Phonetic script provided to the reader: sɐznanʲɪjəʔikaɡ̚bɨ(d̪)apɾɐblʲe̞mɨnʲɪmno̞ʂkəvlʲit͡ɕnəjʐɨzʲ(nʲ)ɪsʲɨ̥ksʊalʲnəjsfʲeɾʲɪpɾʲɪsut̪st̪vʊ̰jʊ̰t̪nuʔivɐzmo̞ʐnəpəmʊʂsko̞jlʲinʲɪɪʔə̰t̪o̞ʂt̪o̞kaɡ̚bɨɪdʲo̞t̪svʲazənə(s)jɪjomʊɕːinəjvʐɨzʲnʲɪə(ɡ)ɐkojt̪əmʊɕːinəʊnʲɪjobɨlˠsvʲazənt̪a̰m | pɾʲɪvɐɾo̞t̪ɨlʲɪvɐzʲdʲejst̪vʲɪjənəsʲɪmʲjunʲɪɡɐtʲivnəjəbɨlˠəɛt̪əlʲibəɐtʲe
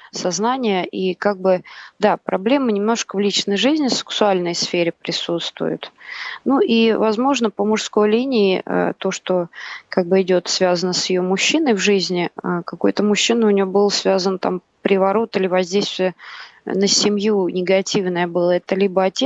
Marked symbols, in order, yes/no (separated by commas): yes, yes, yes, no